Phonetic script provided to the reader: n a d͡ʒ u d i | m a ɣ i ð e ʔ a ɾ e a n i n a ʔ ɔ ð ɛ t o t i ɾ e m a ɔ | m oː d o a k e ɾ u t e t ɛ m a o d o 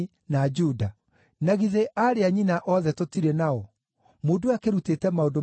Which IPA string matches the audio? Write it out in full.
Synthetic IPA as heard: n a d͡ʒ u d a | n a ɣ i ð e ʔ a ɾ e a ɲ i n a ʔ ɔ ð ɛ t o t i ɾ e n a ɔ | m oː d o a k e ɾ u t e t ɛ m a o d o